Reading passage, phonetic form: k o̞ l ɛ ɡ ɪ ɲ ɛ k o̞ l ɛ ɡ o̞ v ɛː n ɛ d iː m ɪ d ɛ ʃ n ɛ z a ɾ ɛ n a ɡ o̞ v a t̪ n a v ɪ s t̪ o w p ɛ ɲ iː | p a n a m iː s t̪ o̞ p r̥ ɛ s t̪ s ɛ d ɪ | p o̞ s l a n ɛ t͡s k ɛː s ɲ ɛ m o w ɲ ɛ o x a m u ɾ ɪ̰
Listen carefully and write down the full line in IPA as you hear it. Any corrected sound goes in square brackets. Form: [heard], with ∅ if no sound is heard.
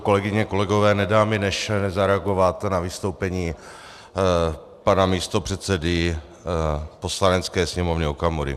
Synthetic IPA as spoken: k o̞ l ɛ ɡ ɪ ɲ ɛ k o̞ l ɛ ɡ o̞ v ɛː n ɛ d [aː] m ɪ [n] ɛ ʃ n ɛ z a ɾ ɛ [∅] a ɡ o̞ v a t̪ n a v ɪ s t̪ o w p ɛ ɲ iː | p a n a m iː s t̪ o̞ p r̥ ɛ [∅] t̪ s ɛ d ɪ | p o̞ s l a n ɛ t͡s k ɛː s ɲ ɛ m o [v] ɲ ɛ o [k] a m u ɾ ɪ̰

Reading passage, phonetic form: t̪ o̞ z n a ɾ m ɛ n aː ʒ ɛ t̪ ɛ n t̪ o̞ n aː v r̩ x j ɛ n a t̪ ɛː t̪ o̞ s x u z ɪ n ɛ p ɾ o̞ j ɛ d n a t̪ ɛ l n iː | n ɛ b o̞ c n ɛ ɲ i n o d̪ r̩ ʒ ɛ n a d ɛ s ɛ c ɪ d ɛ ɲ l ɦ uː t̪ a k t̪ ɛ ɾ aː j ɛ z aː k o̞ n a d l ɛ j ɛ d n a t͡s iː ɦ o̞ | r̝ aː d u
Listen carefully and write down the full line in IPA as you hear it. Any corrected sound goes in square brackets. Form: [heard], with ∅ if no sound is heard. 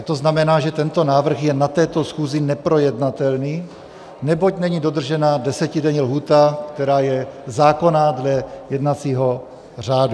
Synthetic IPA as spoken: t̪ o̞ z n a [∅] m ɛ n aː ʒ ɛ t̪ ɛ n t̪ o̞ n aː v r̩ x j ɛ n a t̪ ɛː t̪ o̞ s x [uː] z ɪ n ɛ p ɾ o̞ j ɛ d n a t̪ ɛ l n iː | n ɛ b o̞ c n ɛ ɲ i [d] o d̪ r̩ ʒ ɛ n a d ɛ s ɛ c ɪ d ɛ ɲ l ɦ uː t̪ a k t̪ ɛ ɾ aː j ɛ z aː k o̞ n a d l ɛ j ɛ d n a t͡s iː ɦ o̞ | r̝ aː d u

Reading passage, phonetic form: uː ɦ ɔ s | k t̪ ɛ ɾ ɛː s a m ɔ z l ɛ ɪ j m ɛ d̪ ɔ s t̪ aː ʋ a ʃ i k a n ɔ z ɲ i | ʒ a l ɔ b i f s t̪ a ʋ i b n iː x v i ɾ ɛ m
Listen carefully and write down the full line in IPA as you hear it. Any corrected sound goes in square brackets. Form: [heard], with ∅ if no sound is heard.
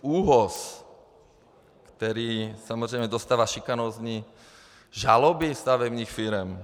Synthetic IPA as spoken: uː ɦ ɔ s | k t̪ ɛ ɾ [iː] s a m ɔ z [ɾ] ɛ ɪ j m ɛ d̪ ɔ s t̪ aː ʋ a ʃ i k a n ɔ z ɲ i | ʒ a l ɔ b i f s t̪ a ʋ [ɛ] b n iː x [f] i ɾ ɛ m

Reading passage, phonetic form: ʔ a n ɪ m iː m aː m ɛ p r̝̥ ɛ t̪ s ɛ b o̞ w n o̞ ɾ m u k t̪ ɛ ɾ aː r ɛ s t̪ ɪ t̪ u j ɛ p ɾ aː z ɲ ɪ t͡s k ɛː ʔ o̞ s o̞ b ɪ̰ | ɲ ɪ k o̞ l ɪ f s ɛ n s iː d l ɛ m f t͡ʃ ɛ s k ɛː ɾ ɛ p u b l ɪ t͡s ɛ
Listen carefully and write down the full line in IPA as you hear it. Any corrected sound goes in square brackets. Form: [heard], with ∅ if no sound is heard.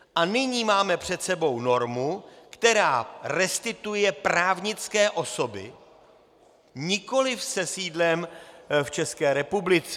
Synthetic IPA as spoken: ʔ a n ɪ [ɲ] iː m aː m ɛ p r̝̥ ɛ t̪ s ɛ b o̞ w n o̞ ɾ m u k t̪ ɛ ɾ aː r ɛ s t̪ ɪ t̪ u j ɛ p ɾ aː [v] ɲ ɪ t͡s k ɛː ʔ o̞ s o̞ b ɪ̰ | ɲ ɪ k o̞ l ɪ f s ɛ [∅] s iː d l ɛ m f t͡ʃ ɛ s k ɛː ɾ ɛ p u b l ɪ t͡s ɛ

